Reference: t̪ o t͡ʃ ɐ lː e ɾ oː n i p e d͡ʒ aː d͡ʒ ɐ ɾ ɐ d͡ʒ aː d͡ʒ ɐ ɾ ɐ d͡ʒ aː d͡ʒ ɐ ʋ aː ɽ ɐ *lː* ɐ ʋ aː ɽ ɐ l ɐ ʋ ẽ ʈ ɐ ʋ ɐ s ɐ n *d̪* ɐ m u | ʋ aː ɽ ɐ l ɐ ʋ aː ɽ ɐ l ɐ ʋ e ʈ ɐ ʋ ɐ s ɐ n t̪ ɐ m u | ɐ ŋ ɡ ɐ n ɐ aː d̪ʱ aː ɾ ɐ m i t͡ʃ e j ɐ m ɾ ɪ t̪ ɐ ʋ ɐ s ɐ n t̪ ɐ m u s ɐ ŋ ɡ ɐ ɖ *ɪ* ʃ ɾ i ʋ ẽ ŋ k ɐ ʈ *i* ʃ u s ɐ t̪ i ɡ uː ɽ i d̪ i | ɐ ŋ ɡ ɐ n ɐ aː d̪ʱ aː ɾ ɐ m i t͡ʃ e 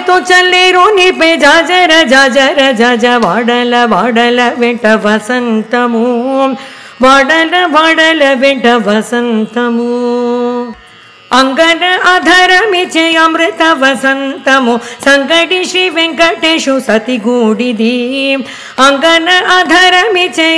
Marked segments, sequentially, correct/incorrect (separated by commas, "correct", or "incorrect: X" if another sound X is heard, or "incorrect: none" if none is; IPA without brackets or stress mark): incorrect: l, incorrect: t̪, incorrect: i, incorrect: e